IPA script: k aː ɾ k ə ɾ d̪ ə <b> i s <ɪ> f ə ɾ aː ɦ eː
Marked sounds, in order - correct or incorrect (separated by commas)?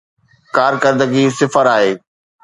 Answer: incorrect, correct